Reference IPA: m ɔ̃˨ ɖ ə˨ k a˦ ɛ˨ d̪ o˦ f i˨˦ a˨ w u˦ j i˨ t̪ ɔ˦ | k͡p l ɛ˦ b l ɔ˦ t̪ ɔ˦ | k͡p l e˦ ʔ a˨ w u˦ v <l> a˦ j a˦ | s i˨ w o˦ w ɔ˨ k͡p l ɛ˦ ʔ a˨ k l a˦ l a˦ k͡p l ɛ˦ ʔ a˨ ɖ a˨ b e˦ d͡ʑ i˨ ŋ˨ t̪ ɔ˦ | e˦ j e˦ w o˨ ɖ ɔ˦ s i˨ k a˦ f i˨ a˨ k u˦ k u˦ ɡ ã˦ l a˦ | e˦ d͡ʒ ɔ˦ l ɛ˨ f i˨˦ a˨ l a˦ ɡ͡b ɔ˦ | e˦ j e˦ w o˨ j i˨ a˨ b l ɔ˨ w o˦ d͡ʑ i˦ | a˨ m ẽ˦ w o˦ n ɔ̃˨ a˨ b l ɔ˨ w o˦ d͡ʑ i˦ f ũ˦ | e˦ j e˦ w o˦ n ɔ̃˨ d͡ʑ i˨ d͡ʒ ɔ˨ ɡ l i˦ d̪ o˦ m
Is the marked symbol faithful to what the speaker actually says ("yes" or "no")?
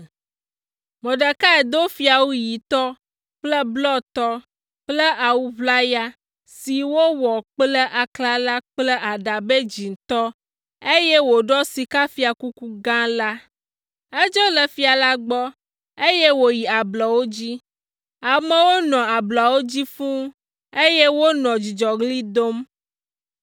yes